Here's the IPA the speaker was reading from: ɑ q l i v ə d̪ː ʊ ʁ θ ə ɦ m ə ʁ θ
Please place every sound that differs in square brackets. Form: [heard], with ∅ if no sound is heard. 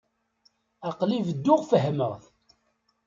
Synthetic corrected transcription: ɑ q l i v ə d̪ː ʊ ʁ [f] ə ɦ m ə ʁ θ